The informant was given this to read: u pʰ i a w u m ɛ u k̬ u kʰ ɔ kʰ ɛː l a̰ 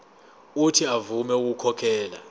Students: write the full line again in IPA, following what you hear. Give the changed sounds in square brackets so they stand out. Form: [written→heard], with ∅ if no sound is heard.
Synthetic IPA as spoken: u [pʰ→tʰ] i a [w→v] u m ɛ u k̬ u kʰ ɔ kʰ ɛː l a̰